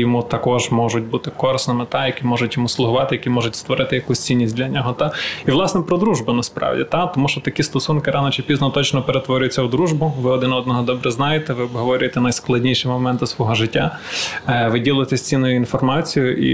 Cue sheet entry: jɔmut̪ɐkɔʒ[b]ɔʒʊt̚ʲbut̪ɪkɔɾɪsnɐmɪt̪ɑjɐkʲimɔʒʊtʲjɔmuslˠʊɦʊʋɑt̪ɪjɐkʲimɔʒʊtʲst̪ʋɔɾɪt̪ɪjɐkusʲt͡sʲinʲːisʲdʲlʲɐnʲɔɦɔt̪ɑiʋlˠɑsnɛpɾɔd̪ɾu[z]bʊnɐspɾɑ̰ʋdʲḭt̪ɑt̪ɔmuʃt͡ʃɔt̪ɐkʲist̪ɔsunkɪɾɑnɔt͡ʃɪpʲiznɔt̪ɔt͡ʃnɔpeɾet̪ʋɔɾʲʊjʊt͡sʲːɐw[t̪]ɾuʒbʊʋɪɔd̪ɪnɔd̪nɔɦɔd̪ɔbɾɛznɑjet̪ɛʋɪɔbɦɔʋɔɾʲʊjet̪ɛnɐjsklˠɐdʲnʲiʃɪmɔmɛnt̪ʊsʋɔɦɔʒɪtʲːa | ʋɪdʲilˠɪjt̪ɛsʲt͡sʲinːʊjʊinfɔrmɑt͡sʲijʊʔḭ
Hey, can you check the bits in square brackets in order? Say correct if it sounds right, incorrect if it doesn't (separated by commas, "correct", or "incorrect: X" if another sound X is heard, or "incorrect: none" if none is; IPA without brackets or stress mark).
incorrect: m, incorrect: ʒ, incorrect: d̪